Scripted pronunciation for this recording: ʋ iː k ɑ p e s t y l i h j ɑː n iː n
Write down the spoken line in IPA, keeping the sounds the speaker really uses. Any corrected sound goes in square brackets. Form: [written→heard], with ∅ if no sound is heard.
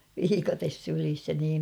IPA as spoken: ʋ iː k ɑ [p→t] e s [t→s] y l i [h→s] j [ɑː→ɑ] n iː [n→m]